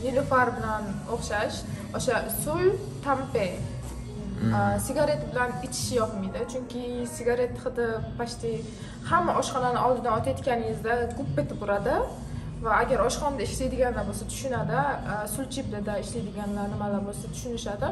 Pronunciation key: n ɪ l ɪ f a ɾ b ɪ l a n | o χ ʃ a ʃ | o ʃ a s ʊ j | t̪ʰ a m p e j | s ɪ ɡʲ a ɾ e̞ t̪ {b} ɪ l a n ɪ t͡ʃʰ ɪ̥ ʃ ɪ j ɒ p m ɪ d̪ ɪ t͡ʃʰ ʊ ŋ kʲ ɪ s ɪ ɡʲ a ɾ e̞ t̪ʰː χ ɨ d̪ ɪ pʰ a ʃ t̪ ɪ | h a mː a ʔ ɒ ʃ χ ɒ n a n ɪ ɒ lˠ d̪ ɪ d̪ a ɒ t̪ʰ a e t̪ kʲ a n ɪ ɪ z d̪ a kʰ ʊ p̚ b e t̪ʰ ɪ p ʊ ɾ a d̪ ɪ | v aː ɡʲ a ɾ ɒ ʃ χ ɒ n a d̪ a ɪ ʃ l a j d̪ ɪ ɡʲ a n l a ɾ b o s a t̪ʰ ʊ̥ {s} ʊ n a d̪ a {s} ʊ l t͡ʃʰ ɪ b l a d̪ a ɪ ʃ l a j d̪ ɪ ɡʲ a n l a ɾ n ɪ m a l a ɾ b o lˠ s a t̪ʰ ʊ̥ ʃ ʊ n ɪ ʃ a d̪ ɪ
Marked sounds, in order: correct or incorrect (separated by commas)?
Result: correct, incorrect, correct